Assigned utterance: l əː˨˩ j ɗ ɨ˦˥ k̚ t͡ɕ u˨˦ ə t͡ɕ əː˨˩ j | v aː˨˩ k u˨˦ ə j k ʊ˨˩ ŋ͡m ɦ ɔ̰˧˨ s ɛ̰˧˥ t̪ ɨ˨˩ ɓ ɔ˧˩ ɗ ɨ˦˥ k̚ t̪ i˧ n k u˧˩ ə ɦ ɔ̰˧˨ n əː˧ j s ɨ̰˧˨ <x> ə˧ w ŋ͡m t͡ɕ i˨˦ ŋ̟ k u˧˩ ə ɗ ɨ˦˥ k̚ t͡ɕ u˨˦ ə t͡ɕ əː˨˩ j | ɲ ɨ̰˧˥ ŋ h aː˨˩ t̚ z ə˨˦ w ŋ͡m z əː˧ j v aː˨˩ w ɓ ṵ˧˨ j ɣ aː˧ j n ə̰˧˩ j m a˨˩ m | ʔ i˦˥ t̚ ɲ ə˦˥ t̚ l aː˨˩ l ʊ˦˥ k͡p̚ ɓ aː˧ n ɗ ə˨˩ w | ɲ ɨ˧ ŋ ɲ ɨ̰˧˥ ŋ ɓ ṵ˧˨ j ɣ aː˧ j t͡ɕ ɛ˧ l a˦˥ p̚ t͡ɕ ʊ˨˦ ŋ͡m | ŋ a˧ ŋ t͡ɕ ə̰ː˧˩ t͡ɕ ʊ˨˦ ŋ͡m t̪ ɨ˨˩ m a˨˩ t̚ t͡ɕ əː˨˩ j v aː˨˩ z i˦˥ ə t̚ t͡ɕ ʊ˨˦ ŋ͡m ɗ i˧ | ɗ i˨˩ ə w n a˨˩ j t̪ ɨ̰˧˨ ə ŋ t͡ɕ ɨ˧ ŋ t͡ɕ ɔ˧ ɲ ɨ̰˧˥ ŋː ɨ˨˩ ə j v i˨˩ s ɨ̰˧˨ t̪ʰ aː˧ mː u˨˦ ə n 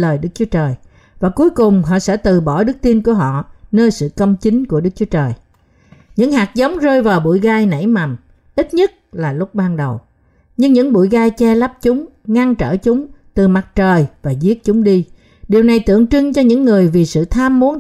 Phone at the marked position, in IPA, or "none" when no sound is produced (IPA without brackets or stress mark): k